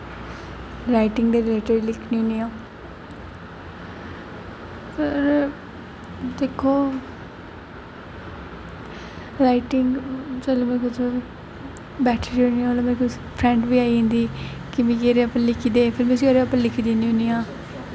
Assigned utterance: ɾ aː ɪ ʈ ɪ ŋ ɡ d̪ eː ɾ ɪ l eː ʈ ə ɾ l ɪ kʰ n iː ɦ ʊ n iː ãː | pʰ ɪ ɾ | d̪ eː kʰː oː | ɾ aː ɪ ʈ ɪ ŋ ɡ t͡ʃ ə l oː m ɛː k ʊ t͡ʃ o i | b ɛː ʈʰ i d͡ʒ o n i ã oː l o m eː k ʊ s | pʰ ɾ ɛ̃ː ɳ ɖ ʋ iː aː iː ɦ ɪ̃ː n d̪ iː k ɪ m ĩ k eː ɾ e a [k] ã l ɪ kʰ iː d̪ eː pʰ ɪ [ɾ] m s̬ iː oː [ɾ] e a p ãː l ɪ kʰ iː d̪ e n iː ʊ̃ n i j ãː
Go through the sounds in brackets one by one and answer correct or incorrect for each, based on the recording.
incorrect, correct, correct

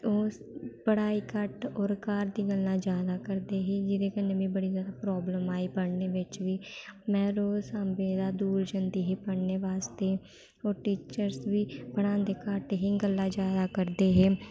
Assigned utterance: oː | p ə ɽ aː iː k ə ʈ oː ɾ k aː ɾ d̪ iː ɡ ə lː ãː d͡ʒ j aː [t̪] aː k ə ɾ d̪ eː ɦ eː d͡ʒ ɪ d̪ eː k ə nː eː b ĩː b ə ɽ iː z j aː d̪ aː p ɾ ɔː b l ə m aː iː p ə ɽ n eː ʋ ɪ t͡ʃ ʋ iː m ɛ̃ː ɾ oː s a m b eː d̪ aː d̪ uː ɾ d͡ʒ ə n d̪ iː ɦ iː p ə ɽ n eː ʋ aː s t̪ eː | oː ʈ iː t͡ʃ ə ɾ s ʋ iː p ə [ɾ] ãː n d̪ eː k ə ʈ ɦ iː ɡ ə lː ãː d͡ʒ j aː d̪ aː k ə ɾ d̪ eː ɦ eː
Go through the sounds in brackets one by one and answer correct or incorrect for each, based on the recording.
incorrect, incorrect

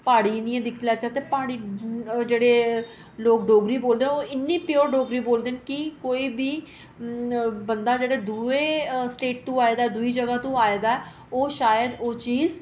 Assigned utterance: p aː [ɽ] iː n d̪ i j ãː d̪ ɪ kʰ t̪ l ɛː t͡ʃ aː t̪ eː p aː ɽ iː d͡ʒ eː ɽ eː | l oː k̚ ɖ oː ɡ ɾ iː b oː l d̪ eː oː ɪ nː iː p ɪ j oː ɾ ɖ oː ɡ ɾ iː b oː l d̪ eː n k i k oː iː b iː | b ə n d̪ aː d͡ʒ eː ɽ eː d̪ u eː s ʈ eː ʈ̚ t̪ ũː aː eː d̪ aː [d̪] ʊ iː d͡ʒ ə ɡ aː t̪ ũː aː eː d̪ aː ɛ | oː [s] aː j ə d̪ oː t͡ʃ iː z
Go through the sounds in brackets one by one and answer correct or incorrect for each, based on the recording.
correct, correct, incorrect

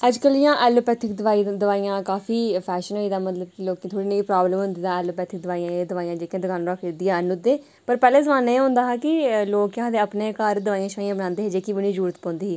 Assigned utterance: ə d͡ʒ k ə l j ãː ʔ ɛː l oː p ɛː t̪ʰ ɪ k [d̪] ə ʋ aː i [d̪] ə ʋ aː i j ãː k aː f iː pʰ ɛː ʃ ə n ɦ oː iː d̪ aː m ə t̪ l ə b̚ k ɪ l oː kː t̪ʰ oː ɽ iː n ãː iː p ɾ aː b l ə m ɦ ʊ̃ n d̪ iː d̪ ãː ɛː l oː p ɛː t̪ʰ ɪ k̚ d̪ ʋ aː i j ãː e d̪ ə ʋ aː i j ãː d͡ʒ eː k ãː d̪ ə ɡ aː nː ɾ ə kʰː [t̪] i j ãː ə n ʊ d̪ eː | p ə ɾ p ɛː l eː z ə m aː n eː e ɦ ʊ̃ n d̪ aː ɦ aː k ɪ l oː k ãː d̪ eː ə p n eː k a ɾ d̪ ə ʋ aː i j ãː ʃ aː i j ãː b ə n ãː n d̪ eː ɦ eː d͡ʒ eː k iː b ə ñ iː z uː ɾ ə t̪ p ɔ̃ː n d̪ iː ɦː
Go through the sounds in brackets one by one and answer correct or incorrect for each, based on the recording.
correct, correct, incorrect

